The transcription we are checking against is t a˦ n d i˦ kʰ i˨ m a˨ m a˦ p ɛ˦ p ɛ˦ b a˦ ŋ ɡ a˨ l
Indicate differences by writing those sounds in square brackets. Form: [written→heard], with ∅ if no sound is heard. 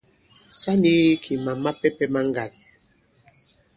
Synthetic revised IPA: [t→s] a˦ n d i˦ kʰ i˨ m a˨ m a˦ p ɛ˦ p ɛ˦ [b→m] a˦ ŋ ɡ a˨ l